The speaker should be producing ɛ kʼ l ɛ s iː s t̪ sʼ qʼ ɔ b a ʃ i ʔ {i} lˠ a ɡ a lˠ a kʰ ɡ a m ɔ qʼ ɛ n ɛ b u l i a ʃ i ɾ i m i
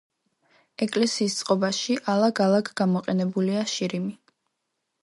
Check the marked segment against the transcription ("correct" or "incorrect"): incorrect